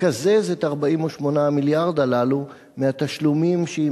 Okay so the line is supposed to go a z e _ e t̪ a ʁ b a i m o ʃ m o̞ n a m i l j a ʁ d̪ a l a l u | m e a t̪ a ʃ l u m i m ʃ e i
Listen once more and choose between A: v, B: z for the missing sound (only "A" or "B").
B